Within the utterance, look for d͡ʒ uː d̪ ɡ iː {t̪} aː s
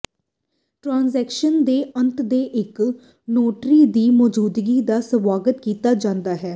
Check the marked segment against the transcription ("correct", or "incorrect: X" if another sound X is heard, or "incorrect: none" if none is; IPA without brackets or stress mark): incorrect: d̪